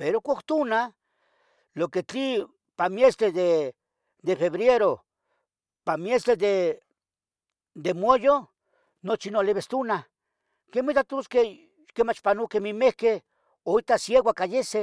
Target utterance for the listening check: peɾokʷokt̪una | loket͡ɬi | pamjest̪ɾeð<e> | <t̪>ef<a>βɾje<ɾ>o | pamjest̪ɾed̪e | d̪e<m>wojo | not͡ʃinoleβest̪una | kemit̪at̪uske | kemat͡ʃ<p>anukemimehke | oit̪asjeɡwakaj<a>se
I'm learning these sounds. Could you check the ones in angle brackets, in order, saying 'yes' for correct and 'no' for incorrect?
yes, no, no, yes, yes, yes, no

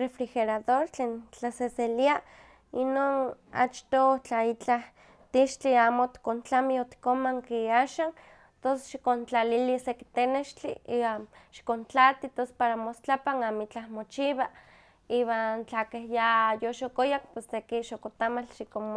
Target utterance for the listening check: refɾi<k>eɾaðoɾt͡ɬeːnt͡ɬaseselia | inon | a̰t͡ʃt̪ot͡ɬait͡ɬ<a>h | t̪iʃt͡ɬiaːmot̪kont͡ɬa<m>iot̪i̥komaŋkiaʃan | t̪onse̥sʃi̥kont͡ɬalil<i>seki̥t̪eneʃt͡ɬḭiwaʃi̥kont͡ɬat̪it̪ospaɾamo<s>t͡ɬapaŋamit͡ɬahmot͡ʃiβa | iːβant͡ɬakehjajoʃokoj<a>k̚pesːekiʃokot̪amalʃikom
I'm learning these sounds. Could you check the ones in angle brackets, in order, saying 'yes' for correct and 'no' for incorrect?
no, yes, yes, yes, yes, yes

